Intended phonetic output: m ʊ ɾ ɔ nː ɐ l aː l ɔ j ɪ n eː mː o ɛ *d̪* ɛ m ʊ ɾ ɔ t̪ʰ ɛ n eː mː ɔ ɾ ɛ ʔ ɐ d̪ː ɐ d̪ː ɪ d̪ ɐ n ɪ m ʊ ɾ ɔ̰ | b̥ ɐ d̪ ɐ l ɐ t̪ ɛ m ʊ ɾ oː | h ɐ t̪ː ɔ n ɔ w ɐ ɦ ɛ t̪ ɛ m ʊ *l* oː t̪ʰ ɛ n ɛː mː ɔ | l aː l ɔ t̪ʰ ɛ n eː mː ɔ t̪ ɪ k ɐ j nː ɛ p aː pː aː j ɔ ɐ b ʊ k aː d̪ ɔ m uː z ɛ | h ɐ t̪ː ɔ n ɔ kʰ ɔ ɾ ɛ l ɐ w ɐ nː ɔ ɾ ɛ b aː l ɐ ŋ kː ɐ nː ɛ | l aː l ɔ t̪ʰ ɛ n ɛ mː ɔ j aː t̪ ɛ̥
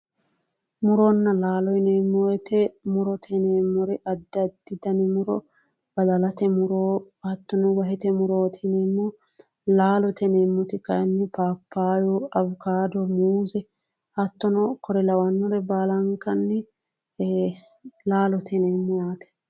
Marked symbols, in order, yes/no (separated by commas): no, no